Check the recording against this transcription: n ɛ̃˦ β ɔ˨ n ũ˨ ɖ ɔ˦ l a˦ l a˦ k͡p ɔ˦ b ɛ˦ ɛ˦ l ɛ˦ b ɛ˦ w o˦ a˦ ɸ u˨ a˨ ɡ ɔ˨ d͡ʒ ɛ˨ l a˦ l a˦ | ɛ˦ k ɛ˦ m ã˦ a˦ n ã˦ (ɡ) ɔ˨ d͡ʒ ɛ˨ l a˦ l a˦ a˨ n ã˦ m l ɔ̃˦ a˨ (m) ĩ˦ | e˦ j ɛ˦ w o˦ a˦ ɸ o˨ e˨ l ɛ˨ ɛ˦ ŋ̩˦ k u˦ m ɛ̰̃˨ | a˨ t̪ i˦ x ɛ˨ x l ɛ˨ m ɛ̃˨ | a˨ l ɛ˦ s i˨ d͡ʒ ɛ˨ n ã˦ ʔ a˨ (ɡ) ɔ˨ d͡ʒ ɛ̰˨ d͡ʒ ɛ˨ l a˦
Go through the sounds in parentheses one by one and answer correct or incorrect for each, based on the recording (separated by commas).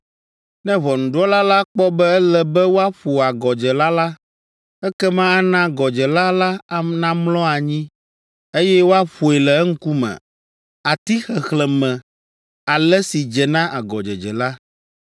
correct, incorrect, correct